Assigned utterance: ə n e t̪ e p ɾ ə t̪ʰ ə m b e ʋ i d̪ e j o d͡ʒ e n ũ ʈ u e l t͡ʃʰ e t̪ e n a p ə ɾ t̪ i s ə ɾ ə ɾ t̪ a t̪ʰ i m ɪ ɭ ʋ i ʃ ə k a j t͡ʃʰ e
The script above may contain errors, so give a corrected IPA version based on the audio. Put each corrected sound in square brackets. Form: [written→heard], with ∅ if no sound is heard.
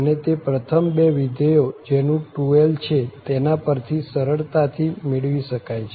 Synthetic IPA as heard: ə n e t̪ e p ɾ ə t̪ʰ ə m b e ʋ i d̪ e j o d͡ʒ e n ũ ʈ u e l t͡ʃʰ e t̪ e n a p ə ɾ [t̪→t̪ʰ] i s ə ɾ ə [ɾ→ɭ] t̪ a t̪ʰ i m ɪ ɭ ʋ i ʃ ə k a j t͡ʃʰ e